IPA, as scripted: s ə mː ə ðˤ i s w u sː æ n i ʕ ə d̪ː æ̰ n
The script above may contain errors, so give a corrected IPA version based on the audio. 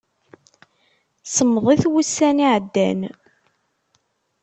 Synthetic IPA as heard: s ə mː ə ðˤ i θ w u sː æ n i ʕ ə d̪ː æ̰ n

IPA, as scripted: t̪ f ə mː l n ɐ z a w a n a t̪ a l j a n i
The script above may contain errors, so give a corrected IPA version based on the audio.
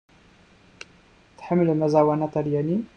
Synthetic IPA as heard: t̪ ħ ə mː l m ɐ z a w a n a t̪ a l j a n i

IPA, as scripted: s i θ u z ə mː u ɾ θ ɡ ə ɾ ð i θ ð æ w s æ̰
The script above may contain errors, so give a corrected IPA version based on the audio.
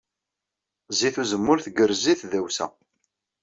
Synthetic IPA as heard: z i θ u z ə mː ʊ ɾ θ ɡ ə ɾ z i θ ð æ w s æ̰

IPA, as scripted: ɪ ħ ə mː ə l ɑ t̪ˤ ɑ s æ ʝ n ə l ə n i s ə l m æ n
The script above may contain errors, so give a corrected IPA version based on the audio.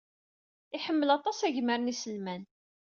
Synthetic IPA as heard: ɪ ħ ə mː ə l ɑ t̪ˤ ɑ s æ ʝ m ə ɾ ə n i s ə l m æ n

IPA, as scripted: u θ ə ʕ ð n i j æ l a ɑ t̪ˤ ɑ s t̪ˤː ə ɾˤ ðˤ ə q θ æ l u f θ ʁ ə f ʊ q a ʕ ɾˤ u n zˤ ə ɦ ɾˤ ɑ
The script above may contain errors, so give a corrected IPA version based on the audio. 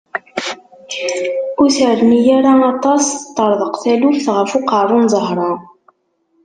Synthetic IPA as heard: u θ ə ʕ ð n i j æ ɾ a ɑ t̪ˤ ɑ s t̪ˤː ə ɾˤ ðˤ ə q θ æ l u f θ ʁ ə f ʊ q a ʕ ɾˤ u n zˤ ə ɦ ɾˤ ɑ

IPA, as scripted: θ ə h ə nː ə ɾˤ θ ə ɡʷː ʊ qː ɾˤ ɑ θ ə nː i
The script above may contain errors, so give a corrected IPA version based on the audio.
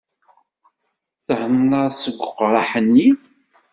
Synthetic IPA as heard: θ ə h ə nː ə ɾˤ s ə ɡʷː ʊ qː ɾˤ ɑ ħ ə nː i

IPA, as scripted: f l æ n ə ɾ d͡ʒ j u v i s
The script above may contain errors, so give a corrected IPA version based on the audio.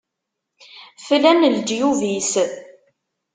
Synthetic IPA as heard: f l æ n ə l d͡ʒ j u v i s

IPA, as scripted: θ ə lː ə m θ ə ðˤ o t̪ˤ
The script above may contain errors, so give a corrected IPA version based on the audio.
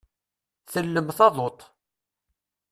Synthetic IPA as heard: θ ə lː ə m θ ɑ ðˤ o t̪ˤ

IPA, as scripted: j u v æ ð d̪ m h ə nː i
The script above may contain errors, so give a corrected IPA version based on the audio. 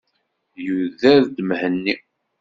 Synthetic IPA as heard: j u ð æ ð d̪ m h ə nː i

